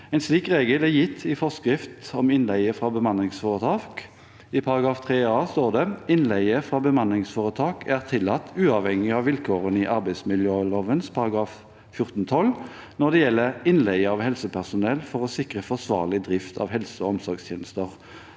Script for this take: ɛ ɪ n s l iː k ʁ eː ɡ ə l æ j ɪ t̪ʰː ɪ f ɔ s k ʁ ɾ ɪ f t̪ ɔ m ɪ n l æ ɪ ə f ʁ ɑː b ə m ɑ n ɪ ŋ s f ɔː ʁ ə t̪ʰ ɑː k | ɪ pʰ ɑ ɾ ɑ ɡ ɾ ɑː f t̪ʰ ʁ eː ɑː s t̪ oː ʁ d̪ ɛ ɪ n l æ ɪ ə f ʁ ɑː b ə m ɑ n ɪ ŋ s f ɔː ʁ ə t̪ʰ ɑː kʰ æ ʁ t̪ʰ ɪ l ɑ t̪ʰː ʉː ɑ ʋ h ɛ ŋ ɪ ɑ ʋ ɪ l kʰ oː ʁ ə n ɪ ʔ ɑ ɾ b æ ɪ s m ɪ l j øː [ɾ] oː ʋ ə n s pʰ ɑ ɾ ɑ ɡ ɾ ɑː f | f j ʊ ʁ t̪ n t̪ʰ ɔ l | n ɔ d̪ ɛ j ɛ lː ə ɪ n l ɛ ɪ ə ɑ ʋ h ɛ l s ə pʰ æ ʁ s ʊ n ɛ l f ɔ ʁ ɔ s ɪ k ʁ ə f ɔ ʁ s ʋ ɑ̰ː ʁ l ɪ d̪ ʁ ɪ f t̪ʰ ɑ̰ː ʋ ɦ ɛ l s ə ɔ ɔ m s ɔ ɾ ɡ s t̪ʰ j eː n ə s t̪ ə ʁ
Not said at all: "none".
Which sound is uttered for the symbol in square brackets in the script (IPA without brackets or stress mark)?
l